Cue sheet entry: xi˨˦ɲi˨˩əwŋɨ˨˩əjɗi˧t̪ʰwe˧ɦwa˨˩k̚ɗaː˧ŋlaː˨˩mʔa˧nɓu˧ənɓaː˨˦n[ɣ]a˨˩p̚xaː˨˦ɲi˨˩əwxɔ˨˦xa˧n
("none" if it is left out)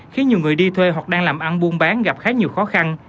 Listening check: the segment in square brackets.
ɣ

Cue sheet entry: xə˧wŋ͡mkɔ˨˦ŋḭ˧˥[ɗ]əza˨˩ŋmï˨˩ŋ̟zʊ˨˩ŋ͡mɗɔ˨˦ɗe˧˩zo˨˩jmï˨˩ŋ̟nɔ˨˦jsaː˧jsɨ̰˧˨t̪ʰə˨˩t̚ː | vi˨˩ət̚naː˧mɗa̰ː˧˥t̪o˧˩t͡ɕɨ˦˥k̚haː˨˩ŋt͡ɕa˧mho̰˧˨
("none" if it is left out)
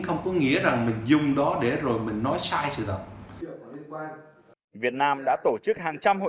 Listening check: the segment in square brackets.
none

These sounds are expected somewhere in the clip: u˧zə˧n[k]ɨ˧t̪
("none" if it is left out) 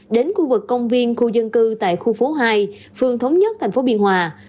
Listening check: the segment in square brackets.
k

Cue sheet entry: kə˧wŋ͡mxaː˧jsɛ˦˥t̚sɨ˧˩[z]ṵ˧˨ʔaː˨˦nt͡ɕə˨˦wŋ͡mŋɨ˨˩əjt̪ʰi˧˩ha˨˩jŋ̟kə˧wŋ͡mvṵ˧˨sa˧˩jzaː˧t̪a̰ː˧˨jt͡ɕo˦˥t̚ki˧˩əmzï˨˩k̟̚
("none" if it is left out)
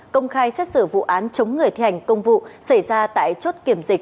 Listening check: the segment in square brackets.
v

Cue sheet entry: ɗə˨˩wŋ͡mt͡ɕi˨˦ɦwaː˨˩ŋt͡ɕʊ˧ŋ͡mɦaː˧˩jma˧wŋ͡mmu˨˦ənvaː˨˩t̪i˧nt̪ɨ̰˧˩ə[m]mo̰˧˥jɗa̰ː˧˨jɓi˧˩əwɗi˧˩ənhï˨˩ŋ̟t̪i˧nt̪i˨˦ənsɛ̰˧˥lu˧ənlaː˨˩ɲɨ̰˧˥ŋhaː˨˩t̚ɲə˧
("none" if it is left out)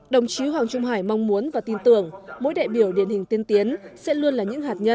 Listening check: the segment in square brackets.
ŋ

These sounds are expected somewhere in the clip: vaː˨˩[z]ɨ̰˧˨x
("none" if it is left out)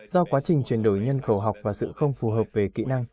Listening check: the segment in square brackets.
s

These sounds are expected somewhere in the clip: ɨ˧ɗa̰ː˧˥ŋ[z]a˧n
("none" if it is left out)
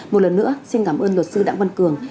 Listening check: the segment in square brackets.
v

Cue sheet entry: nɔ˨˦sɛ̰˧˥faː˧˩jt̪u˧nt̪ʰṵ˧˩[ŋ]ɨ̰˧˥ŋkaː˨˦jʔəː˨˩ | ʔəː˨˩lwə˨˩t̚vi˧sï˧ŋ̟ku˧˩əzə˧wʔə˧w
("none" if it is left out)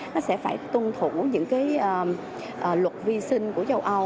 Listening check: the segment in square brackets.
ɲ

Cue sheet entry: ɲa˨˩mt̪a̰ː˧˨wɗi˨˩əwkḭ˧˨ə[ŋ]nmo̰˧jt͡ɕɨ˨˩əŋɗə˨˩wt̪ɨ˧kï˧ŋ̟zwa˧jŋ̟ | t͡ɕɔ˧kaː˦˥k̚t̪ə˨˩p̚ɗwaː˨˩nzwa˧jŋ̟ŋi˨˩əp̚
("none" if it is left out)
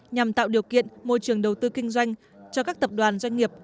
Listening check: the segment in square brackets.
none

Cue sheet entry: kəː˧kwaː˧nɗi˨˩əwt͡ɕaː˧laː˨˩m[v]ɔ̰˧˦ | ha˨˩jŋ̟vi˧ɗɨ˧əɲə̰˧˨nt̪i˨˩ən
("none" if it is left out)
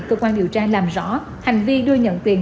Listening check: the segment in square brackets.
z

